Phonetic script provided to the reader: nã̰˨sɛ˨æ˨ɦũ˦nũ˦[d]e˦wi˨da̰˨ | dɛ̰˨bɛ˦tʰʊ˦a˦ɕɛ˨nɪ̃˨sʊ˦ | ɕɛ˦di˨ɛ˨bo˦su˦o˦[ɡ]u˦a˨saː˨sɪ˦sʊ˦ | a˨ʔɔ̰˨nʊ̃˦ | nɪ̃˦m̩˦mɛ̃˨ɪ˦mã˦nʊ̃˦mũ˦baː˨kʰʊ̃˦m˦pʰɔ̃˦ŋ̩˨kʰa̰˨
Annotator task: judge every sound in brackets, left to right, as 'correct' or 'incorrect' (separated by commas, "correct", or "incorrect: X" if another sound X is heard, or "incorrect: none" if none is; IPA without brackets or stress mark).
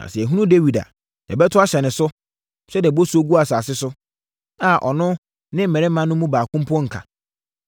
correct, correct